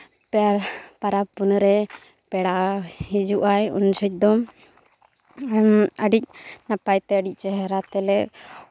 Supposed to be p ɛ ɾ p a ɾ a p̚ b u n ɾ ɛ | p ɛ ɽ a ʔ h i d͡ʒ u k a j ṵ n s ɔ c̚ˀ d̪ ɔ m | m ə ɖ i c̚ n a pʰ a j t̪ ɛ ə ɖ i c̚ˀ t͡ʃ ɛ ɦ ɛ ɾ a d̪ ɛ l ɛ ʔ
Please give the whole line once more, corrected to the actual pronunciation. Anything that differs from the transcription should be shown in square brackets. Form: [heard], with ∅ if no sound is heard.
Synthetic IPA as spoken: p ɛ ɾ p a ɾ a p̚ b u n ɾ ɛ | p ɛ ɽ a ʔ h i d͡ʒ u [ʔ] a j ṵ n s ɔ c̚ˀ d̪ ɔ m | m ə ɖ i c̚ n a [p] a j t̪ ɛ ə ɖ i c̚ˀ t͡ʃ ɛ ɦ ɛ ɾ a [t̪] ɛ l ɛ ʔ